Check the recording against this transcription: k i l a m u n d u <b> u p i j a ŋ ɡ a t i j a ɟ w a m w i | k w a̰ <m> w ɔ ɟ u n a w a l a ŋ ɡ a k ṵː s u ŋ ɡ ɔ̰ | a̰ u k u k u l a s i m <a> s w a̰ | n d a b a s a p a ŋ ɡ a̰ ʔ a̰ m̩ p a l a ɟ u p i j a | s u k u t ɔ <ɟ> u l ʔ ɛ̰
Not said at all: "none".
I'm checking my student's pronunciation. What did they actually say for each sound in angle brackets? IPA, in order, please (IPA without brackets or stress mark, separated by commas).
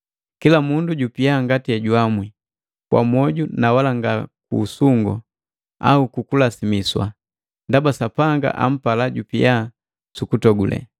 ɟ, m, i, ɡ